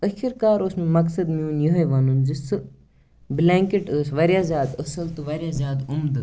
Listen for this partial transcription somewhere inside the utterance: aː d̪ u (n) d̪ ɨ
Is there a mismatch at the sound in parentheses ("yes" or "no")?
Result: yes